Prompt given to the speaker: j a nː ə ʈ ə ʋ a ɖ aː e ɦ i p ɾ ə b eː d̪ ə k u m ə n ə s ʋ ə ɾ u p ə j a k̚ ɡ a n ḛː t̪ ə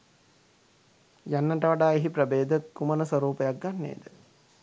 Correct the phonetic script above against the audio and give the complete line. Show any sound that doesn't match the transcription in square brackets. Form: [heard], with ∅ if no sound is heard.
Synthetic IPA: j a nː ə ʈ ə ʋ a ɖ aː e ɦ i p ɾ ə b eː d̪ ə k u m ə n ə s ʋ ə ɾ [uː] p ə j a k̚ ɡ a [nː] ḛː [d̪] ə